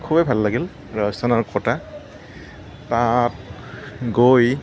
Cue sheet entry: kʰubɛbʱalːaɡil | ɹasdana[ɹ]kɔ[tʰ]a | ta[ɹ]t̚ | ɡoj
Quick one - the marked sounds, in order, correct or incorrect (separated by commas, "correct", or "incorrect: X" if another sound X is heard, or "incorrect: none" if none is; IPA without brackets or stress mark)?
correct, incorrect: t, incorrect: none